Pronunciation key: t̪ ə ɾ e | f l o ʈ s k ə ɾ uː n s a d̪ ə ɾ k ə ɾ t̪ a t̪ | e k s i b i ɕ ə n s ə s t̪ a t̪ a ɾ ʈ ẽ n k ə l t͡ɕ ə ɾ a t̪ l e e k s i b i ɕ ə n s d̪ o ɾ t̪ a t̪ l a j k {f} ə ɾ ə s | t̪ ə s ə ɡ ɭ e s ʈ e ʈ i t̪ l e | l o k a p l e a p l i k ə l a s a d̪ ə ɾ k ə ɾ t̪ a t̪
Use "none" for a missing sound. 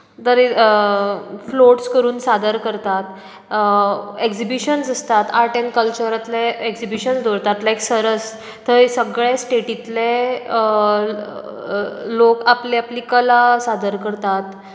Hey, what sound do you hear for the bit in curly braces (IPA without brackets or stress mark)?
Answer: s